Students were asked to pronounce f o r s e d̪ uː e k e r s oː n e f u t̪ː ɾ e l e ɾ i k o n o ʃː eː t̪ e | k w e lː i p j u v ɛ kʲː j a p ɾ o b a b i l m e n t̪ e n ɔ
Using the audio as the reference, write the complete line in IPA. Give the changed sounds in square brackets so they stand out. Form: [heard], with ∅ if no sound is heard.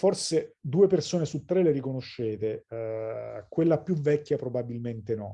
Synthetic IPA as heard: f o r s e d̪ uː e [p] e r s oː n e [s] u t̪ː ɾ e l e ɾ i k o n o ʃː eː t̪ e | k w e lː [a] p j u v ɛ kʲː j a p ɾ o b a b i l m e n t̪ e n ɔ